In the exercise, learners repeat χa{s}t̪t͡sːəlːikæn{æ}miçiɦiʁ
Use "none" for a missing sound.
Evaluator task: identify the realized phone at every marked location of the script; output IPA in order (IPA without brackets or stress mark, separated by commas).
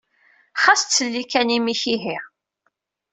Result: s, i